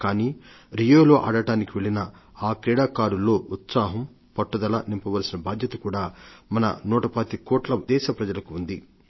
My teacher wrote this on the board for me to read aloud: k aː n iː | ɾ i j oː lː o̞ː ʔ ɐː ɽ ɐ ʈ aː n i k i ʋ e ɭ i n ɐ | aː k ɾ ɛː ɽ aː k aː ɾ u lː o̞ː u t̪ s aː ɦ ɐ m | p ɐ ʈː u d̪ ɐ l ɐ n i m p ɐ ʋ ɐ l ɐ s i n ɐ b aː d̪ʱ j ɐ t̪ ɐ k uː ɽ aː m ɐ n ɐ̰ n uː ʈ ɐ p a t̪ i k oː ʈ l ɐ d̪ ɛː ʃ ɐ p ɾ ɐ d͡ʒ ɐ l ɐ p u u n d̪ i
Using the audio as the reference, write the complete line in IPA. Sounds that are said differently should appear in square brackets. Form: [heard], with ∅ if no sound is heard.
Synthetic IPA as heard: k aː n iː | ɾ i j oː [l] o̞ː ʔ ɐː ɽ ɐ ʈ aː n i k i ʋ e ɭ i n ɐ | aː k ɾ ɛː ɽ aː k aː ɾ u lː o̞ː u t̪ s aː ɦ ɐ m | p ɐ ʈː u d̪ ɐ l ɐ n i m p ɐ ʋ ɐ l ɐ s i n ɐ b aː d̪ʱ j ɐ t̪ ɐ k uː ɽ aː m ɐ n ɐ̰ n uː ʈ ɐ p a t̪ i k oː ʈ l ɐ d̪ ɛː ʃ ɐ p ɾ ɐ d͡ʒ ɐ l ɐ [k] u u n d̪ i